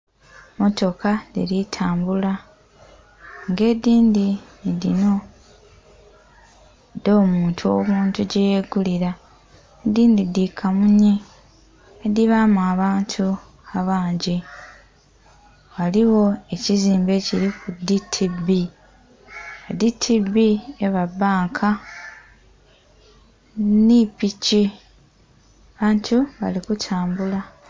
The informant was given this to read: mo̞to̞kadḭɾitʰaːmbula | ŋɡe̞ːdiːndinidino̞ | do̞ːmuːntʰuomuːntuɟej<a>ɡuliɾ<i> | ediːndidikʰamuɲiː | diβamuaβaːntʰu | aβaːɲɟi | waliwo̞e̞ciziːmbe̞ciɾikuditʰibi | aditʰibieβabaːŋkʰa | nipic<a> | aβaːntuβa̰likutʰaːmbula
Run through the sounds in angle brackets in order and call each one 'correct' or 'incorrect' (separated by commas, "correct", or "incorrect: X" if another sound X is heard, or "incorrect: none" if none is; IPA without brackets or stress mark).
incorrect: e, incorrect: a, incorrect: i